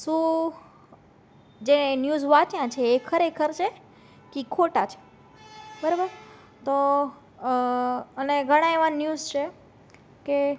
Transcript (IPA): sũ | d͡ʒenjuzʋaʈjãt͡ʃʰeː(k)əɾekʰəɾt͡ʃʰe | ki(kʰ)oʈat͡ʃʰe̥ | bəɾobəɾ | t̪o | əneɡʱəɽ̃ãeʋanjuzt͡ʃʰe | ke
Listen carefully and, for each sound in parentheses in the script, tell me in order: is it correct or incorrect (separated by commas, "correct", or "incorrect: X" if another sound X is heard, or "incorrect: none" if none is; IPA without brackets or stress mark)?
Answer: incorrect: kʰ, correct